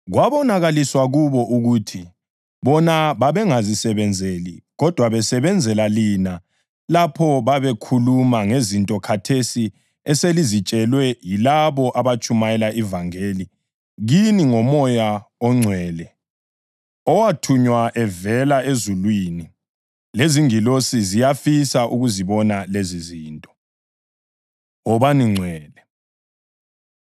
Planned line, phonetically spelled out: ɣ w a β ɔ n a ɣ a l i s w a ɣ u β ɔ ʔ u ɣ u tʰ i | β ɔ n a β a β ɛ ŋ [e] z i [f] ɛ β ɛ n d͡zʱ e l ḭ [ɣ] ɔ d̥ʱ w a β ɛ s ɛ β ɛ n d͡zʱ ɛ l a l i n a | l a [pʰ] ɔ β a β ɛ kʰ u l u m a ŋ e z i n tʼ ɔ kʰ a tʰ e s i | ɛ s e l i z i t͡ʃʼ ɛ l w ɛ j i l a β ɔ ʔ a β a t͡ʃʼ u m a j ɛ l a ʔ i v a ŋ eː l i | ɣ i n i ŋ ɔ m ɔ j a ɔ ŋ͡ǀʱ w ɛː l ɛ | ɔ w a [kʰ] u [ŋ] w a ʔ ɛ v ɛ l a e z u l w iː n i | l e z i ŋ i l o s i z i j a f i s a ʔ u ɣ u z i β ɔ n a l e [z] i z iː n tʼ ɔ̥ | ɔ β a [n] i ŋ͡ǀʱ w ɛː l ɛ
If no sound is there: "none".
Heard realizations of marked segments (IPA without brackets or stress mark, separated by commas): a, s, ɣ, pʰ, tʰ, ɲ, z, n